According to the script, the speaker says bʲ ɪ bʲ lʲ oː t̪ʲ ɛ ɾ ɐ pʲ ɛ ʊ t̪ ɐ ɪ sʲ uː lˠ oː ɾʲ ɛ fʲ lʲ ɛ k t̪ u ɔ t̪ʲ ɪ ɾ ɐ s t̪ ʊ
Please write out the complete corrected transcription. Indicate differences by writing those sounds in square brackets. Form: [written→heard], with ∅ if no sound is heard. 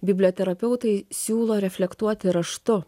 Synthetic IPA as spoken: bʲ ɪ bʲ lʲ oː t̪ʲ ɛ ɾ ɐ pʲ ɛ ʊ t̪ ɐ ɪ sʲ uː lˠ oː ɾʲ ɛ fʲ lʲ ɛ k t̪ u ɔ t̪ʲ ɪ ɾ ɐ [s→ʃ] t̪ ʊ